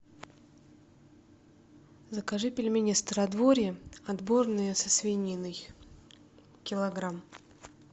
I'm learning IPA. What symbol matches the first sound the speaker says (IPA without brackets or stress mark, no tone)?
z